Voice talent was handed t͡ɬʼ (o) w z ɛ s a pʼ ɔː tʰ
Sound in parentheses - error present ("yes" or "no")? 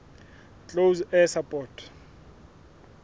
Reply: no